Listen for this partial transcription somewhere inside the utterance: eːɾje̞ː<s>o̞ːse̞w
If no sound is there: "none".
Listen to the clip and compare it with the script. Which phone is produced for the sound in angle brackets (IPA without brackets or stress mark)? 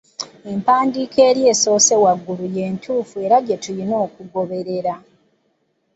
s